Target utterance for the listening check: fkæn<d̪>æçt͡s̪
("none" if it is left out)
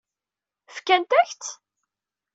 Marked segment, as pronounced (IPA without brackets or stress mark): t̪